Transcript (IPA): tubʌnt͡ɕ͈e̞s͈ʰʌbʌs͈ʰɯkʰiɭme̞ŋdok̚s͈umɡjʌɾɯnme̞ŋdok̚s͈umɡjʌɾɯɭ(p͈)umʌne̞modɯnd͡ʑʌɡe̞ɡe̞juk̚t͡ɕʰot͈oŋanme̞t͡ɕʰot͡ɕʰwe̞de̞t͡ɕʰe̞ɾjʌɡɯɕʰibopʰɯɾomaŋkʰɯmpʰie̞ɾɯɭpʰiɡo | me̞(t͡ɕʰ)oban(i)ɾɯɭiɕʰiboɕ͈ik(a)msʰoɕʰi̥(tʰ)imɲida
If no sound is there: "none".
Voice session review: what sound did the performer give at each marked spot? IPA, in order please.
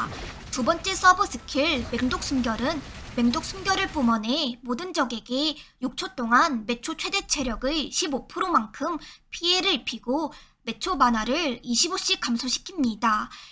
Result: p͈, t͡ɕʰ, a, a, kʰ

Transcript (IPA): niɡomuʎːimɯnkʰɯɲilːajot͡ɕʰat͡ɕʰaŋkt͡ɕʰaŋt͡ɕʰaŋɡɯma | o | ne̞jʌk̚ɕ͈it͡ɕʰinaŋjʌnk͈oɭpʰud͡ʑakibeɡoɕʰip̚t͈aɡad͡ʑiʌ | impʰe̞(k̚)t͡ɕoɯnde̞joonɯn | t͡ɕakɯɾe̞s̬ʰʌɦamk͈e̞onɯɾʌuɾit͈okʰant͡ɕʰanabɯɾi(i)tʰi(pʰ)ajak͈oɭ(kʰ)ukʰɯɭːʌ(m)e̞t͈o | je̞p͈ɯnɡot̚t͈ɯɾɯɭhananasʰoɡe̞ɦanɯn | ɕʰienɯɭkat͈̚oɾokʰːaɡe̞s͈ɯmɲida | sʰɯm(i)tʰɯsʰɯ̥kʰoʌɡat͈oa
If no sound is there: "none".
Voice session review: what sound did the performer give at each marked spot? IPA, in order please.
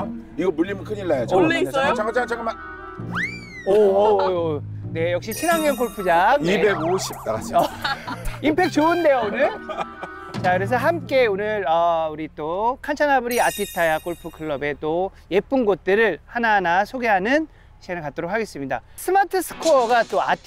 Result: k̚, a, tʰ, pʰ, b, a

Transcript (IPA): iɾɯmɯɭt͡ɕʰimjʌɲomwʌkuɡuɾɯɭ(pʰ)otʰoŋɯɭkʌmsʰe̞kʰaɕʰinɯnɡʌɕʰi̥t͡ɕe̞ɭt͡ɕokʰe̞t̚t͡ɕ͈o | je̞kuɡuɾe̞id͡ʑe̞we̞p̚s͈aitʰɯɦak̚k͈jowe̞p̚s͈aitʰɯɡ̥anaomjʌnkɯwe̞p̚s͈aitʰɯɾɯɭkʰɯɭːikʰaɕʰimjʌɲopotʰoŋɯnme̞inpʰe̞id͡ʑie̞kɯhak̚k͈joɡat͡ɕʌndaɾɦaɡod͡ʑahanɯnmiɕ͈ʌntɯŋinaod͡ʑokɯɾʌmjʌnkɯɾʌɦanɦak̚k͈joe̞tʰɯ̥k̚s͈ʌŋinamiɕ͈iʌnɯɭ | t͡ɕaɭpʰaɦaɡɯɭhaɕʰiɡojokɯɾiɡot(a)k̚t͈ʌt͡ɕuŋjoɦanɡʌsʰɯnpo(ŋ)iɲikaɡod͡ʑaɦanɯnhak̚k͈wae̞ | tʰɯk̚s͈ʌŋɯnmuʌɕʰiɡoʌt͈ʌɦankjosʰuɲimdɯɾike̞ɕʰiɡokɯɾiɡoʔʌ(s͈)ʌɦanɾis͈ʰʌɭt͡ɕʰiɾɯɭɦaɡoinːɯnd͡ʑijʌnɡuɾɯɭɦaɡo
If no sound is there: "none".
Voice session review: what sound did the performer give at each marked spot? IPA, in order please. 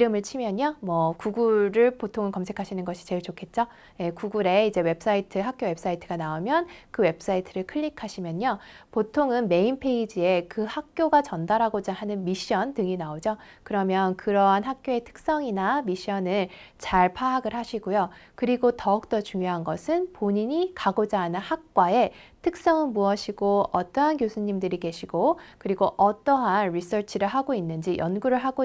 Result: p, ʌ, ɲ, t͈

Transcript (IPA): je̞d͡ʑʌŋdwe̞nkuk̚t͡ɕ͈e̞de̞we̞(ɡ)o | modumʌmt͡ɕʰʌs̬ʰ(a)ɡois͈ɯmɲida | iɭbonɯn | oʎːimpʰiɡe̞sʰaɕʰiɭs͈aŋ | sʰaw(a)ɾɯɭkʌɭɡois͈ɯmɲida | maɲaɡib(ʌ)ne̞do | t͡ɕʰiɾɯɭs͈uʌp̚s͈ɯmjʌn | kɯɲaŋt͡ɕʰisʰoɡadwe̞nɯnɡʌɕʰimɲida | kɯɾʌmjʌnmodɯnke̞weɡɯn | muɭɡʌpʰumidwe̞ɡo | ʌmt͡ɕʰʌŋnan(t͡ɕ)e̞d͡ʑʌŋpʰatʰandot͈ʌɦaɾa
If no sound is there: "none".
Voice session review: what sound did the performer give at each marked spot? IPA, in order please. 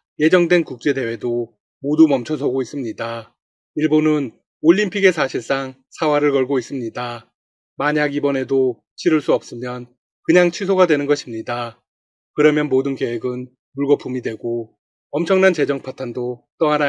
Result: d, ʌ, a, ʌ, t͡ɕ

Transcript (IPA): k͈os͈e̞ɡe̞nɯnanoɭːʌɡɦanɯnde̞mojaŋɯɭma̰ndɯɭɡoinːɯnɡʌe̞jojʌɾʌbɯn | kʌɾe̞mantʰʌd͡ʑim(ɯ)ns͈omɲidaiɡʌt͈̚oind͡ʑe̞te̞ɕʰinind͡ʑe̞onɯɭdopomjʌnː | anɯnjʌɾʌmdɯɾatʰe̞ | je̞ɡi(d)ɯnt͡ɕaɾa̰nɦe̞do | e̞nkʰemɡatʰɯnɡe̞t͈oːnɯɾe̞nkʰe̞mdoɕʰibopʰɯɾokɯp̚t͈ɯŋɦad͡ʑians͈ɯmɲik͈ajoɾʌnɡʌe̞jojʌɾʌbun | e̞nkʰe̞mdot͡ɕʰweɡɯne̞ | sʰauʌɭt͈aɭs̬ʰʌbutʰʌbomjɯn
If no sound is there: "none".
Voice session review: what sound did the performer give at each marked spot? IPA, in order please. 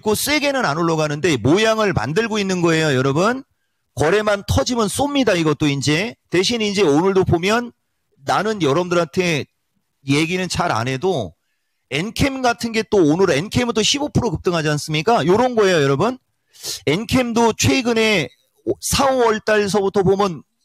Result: ɯ, n

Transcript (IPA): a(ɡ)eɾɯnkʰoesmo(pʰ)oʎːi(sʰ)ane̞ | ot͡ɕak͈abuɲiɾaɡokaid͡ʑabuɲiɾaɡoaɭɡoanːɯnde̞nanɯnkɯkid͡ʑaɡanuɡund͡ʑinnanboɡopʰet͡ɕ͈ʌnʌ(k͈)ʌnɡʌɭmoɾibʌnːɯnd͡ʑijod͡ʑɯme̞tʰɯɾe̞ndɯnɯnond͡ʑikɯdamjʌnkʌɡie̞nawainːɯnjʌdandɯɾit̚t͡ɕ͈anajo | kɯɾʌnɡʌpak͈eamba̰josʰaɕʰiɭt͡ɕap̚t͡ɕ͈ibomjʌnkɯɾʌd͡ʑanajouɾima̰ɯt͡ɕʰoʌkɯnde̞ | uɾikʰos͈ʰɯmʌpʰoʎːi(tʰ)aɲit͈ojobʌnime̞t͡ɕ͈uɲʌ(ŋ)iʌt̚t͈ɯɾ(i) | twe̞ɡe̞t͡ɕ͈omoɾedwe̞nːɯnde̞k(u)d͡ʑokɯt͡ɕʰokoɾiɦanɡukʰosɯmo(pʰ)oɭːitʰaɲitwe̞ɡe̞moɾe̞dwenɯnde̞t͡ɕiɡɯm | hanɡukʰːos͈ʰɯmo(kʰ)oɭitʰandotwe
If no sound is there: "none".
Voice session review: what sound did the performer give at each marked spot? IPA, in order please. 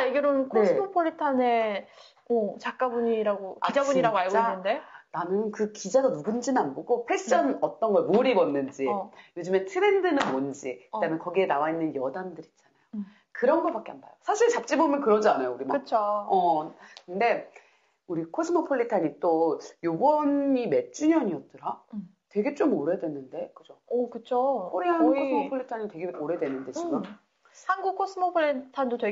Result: ɡ, pʰ, tʰ, t͈, tʰ, ɲ, a, ɯ, pʰ, pʰ

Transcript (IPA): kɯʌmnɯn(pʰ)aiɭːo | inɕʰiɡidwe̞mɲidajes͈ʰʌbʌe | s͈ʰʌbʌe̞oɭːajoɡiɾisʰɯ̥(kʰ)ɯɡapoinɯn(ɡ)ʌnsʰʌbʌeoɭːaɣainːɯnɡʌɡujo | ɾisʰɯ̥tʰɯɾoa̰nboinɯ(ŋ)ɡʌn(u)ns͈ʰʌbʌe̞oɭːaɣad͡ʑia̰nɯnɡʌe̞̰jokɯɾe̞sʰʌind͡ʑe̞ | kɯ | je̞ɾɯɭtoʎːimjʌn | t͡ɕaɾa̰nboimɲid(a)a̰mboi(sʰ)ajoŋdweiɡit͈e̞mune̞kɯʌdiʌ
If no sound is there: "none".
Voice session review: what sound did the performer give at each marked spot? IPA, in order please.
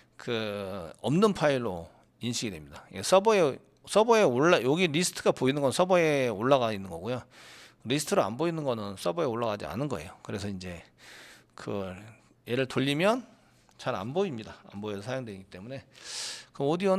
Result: pʰ, tʰ, ɡ, n, ɯ, a, sʰ

